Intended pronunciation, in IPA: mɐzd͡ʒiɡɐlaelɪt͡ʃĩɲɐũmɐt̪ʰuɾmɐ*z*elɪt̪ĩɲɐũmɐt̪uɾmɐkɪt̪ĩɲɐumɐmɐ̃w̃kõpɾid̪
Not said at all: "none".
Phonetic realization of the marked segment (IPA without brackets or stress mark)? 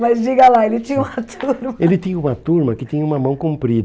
none